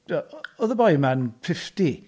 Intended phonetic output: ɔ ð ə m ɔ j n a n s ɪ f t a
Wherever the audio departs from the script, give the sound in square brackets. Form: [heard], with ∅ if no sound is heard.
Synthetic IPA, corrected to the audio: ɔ ð ə [b] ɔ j [m] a n [f] ɪ f t [i]